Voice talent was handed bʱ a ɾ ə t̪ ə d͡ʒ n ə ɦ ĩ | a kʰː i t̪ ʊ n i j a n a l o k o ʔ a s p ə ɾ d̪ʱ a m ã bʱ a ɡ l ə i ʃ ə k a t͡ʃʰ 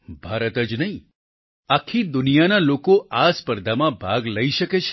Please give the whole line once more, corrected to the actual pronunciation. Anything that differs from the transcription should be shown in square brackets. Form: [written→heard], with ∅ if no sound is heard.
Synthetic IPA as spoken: bʱ a ɾ ə t̪ ə d͡ʒ n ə ɦ ĩ | a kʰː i [t̪→d̪] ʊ n i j a n a l o k o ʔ a s p ə ɾ d̪ʱ a m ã bʱ a ɡ l ə i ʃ ə k [a→e] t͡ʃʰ